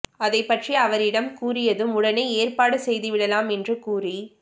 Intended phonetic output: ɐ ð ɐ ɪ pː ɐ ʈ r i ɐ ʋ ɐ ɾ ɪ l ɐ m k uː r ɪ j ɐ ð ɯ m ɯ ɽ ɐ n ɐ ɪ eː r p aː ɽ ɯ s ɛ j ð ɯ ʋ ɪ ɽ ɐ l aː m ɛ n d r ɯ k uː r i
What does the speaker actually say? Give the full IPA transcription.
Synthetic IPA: ɐ ð ɐ ɪ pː ɐ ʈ r i ɐ ʋ ɐ ɾ ɪ ɽ ɐ m k uː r ɪ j ɐ ð ɯ m ʊ ɽ ɐ n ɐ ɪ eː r p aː ɽ ɯ s ɛ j ð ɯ ʋ ɪ ɽ ɐ l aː m ɛ n d r ɯ k uː r i